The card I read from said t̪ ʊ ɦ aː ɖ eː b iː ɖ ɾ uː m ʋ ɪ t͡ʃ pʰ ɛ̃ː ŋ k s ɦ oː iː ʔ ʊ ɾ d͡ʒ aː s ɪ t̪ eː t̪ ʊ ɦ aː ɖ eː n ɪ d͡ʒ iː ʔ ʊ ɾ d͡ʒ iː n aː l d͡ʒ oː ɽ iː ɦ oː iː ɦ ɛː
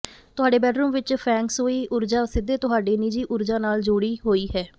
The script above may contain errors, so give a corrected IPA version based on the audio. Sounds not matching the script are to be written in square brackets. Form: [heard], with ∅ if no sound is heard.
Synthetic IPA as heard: t̪ ʊ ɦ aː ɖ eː b [ɛː] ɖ ɾ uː m ʋ ɪ t͡ʃ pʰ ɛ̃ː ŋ k s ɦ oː iː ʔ ʊ ɾ d͡ʒ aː s ɪ [d̪] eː t̪ ʊ ɦ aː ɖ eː n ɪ d͡ʒ iː ʔ ʊ ɾ d͡ʒ [aː] n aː l d͡ʒ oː ɽ iː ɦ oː iː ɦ ɛː